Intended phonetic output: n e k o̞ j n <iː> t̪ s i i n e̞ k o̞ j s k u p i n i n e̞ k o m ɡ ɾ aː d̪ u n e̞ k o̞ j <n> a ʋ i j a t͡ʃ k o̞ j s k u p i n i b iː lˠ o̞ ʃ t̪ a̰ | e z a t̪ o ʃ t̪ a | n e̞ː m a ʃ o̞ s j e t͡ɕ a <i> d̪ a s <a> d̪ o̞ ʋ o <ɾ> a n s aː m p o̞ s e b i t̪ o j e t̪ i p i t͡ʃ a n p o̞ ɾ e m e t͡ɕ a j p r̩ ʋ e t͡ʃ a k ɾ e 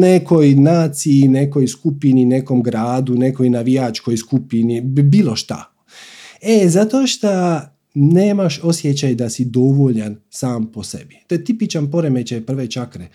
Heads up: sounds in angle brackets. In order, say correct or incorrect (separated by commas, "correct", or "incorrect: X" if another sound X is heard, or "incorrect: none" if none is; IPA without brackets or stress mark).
incorrect: aː, correct, incorrect: j, incorrect: i, incorrect: ʎ